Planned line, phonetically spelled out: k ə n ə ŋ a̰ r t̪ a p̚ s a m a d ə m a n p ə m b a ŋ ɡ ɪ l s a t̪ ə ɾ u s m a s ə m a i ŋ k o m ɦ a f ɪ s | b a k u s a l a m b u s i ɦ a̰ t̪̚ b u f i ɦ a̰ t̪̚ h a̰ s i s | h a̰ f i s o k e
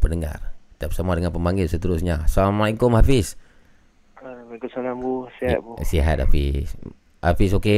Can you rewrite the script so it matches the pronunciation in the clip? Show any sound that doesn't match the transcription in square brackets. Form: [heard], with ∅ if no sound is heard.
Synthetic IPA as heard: [p] ə n ə ŋ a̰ r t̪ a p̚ s a m a d ə [ŋ] a n p ə m b a ŋ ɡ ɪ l s [ə] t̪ ə ɾ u s [ɲ] a s [a] m a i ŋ k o m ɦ a f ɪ s | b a k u s a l a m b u s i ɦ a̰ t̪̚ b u [s] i ɦ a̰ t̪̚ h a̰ [f] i s | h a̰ f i s o k e